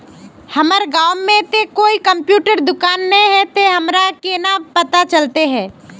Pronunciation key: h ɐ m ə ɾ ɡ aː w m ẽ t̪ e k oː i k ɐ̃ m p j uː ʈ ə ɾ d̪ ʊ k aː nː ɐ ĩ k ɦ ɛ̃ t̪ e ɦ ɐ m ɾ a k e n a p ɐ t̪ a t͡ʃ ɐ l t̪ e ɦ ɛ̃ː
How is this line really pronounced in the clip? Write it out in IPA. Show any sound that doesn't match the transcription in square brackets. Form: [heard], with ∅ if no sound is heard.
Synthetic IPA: h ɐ m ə ɾ ɡ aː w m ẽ t̪ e k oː i k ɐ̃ m p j uː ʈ ə ɾ d̪ ʊ k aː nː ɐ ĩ [∅] ɦ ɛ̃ t̪ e ɦ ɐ m ɾ a k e n a p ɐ t̪ a t͡ʃ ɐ l t̪ e ɦ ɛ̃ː

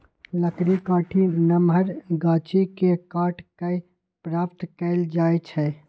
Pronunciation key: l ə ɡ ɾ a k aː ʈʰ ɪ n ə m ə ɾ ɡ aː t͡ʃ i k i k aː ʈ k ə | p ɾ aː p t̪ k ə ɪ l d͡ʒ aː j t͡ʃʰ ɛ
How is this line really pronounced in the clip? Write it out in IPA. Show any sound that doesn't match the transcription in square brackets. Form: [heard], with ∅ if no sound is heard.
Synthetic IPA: l ə [k] ɾ [i] k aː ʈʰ [i] n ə m ə ɾ ɡ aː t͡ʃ i k [e] k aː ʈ k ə | p ɾ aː p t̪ k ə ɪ l d͡ʒ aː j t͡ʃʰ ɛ

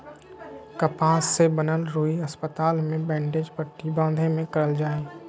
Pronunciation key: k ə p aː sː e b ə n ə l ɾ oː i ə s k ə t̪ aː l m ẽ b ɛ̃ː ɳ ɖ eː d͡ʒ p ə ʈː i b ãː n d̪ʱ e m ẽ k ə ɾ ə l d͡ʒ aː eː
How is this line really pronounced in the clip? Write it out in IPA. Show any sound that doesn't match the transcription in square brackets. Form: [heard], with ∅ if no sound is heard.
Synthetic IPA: k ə p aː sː e b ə n ə l ɾ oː i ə s [p] ə t̪ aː l m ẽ b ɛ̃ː ɳ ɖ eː d͡ʒ p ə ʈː i b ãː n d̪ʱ e m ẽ k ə ɾ ə l d͡ʒ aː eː

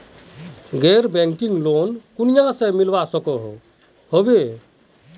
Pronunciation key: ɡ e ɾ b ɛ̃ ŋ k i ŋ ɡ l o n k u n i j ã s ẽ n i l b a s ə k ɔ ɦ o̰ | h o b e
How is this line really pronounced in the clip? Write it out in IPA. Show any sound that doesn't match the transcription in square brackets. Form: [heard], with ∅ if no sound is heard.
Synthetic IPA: ɡ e ɾ b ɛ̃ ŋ k i ŋ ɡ l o n k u n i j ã s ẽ [m] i l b a s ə k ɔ ɦ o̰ | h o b e

